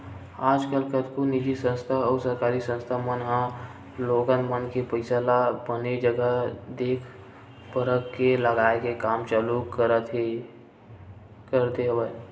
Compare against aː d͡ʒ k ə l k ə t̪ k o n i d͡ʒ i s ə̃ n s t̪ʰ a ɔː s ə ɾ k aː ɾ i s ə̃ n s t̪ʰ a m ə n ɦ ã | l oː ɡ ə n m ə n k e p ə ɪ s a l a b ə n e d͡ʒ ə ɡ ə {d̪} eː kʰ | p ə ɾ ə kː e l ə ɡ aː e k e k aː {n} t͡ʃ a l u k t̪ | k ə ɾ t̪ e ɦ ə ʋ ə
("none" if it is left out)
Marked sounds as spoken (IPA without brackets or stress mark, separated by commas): d̪, m